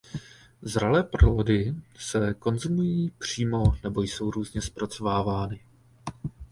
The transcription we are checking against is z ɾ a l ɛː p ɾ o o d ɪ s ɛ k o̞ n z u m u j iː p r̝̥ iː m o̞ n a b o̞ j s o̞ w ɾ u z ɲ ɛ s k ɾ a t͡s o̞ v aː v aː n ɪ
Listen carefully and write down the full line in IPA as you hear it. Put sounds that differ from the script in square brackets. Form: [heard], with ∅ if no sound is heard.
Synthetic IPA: z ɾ a l ɛː p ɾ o o d ɪ s ɛ k o̞ n z u m u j iː p r̝̥ iː m o̞ n [ɛ] b o̞ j s o̞ w ɾ [uː] z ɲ ɛ s [p] ɾ a t͡s o̞ v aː v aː n ɪ